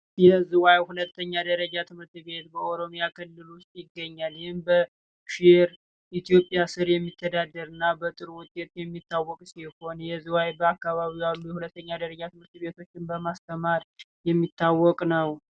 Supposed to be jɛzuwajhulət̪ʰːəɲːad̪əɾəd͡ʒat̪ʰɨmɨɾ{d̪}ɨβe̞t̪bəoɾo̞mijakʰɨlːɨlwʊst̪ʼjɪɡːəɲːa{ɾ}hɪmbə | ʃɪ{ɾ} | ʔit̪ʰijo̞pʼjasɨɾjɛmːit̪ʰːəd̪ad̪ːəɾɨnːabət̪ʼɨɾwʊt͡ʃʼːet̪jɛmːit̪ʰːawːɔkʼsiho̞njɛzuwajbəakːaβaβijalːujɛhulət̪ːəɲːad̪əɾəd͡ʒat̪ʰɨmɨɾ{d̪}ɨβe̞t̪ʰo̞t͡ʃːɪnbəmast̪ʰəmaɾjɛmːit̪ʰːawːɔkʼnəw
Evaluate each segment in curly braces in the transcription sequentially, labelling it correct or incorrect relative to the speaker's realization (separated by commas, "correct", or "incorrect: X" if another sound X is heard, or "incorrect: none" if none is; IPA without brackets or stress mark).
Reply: incorrect: t̪, incorrect: l, correct, incorrect: t̪